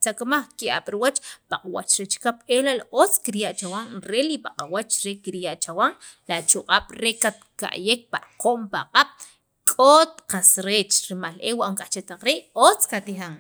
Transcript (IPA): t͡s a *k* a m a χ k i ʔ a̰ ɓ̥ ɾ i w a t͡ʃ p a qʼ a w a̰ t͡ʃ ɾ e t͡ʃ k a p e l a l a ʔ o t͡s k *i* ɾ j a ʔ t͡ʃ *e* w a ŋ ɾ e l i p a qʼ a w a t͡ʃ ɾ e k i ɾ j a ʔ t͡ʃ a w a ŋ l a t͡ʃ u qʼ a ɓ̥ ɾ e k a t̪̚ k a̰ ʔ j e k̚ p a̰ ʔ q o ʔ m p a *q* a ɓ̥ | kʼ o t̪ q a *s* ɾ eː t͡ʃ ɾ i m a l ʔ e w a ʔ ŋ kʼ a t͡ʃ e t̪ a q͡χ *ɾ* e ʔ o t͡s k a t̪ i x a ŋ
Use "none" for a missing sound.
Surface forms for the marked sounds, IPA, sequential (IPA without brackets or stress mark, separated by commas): k, i, a, qʼ, s, ɾ